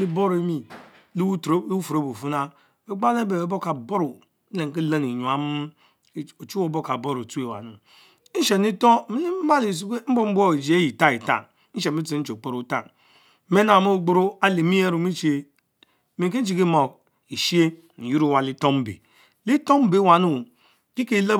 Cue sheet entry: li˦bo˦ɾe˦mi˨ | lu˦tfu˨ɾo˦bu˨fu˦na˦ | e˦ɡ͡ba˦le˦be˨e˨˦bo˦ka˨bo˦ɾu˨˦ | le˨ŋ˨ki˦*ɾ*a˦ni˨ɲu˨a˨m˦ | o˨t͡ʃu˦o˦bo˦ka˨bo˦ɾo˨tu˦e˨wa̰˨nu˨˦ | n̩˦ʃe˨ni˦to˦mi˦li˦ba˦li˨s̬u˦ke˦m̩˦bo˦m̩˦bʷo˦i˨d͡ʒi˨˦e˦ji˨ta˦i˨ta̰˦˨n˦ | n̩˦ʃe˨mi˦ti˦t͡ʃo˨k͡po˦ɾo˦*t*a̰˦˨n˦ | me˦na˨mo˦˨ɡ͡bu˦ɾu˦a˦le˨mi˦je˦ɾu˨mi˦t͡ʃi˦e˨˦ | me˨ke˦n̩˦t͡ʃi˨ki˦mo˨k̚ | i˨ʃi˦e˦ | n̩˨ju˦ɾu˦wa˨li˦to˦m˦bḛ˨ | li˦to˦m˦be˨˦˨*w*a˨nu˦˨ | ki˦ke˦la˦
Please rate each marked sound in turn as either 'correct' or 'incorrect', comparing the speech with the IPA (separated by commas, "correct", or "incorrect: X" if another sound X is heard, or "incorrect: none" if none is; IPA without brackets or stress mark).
incorrect: l, correct, correct